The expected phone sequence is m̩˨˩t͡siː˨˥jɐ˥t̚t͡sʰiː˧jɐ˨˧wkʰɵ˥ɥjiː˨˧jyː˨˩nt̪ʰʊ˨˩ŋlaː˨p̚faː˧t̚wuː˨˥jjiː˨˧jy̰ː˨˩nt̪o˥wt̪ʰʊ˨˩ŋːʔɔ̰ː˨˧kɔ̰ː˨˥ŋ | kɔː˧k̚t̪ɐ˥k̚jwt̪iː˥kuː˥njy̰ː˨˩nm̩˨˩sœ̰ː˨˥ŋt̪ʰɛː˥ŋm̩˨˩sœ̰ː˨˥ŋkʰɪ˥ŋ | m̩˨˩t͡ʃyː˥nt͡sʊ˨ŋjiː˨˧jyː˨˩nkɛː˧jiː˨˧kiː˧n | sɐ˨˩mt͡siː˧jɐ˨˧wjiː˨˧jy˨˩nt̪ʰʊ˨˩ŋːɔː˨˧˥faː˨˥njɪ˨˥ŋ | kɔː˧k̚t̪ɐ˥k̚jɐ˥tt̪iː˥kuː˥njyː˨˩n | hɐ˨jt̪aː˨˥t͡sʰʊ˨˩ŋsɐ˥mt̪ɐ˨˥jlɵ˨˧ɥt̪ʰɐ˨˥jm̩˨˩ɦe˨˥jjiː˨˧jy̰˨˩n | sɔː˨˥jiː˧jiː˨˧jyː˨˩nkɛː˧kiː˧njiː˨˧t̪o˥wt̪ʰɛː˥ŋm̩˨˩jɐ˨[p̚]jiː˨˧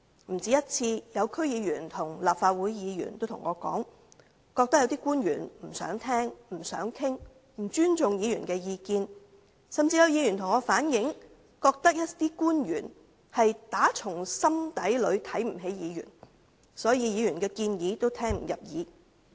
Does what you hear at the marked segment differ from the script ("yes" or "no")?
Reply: no